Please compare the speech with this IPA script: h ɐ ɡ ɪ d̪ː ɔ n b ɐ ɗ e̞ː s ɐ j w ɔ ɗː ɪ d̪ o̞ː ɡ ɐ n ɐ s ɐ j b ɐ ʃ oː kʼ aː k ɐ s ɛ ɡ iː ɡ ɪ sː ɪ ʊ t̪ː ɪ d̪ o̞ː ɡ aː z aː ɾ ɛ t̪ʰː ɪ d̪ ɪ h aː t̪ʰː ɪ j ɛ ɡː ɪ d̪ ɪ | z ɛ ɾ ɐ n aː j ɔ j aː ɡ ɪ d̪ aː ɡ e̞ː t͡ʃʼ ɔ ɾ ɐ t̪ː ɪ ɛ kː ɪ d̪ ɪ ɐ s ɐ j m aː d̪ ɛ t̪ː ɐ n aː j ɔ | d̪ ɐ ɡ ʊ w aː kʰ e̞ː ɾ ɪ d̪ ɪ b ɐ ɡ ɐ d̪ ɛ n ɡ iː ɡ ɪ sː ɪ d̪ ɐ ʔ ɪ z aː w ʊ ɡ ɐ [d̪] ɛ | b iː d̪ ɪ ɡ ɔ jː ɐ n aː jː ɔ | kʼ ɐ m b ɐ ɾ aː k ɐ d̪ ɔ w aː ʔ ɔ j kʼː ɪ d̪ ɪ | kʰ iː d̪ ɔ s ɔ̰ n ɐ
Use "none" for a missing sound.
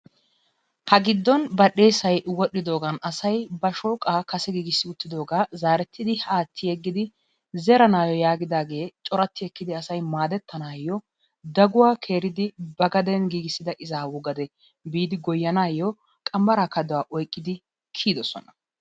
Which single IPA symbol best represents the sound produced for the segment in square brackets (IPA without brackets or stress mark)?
d̪